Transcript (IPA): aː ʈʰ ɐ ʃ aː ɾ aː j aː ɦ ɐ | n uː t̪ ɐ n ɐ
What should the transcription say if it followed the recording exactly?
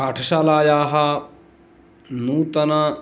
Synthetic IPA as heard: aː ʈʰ ɐ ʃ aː l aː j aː ɦ ɐ | n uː t̪ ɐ n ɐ